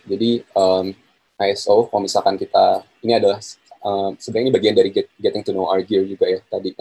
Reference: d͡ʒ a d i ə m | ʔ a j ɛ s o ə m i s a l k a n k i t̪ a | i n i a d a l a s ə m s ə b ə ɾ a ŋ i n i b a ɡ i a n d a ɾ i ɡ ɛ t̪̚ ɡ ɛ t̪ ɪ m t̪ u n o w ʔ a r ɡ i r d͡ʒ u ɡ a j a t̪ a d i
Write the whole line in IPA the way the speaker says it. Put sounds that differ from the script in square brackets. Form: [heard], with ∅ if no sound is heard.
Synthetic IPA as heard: d͡ʒ a d i ə m | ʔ a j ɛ s o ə m i s a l k a n k i t̪ a | i n i a d a l a [h] ə m s ə b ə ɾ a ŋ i n i b a ɡ i a n d a ɾ i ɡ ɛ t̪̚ ɡ ɛ t̪ ɪ [ŋ] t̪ u n o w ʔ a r ɡ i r d͡ʒ u ɡ a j a t̪ a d i